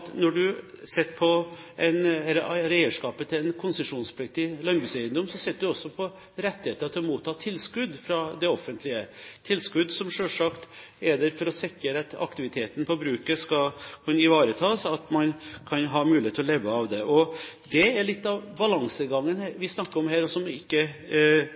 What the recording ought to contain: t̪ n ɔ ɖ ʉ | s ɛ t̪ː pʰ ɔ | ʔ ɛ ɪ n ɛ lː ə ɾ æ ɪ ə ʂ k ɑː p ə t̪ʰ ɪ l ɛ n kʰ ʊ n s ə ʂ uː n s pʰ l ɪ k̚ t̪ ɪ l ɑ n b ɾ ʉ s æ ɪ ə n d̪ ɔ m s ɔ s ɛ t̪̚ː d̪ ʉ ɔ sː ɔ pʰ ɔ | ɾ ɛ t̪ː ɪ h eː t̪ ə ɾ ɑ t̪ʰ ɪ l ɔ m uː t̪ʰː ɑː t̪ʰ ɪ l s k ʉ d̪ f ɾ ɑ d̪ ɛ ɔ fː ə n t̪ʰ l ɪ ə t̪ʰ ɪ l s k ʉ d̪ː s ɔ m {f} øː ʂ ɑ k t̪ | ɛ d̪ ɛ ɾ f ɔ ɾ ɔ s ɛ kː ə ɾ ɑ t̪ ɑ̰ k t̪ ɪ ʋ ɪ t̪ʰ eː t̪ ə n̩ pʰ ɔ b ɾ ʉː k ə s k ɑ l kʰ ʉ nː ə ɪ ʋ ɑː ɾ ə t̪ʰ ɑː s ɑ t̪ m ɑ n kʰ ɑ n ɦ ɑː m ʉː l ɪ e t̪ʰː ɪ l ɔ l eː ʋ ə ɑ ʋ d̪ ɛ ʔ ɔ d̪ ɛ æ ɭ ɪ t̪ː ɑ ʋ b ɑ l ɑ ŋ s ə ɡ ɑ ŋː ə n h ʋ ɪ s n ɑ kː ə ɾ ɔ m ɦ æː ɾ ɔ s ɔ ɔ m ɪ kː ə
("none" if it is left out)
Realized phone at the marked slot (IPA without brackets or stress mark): ʂ